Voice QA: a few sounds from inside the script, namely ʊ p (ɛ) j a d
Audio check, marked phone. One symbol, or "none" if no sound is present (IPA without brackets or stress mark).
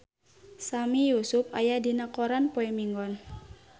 a